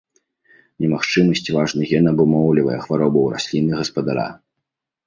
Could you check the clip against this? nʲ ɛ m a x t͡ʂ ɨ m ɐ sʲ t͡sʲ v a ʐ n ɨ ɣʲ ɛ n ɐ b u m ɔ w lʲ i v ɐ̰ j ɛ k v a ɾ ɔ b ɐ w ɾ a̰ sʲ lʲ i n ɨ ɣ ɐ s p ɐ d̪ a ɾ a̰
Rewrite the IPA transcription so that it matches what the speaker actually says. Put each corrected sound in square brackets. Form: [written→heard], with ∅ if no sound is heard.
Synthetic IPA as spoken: nʲ ɛ m a x t͡ʂ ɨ m ɐ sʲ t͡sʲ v a ʐ n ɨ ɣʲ ɛ n ɐ b u m ɔ w lʲ i v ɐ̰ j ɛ [k→x] v a ɾ ɔ b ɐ w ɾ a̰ sʲ lʲ i n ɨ ɣ ɐ s p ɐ d̪ a ɾ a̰